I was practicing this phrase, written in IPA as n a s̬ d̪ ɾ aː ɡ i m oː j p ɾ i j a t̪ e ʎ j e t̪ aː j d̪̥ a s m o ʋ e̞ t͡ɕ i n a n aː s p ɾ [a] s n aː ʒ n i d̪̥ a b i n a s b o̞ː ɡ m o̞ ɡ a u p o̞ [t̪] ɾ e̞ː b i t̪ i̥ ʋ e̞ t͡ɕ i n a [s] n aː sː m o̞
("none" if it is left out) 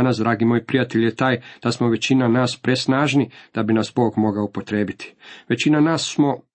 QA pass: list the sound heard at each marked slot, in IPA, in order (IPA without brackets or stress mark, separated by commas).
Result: e, t̪, none